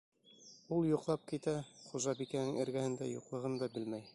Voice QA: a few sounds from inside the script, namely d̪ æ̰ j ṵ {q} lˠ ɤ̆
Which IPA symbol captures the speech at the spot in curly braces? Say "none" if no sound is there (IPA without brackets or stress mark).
q